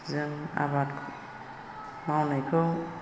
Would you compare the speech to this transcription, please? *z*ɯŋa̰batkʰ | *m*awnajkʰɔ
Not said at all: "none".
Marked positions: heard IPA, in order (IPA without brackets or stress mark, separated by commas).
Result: z, m